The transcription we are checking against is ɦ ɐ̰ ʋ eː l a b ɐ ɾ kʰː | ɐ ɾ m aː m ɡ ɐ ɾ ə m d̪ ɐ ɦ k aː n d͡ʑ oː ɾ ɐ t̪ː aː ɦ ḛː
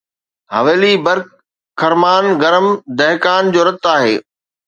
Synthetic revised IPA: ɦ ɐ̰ ʋ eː l i b ɐ ɾ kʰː | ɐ ɾ m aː n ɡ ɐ ɾ ə m d̪ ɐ ɦ k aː n d͡ʑ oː ɾ ɐ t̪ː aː ɦ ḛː